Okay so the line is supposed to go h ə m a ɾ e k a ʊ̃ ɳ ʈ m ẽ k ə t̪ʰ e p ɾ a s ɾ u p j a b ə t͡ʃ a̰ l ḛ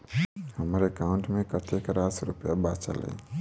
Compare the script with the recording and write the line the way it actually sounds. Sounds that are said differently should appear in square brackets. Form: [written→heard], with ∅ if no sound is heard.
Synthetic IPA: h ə m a ɾ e k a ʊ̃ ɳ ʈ m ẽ k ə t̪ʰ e [p→k] ɾ a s ɾ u p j a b [ə→a] t͡ʃ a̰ l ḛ